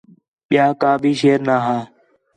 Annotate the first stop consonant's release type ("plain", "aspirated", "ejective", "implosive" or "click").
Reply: implosive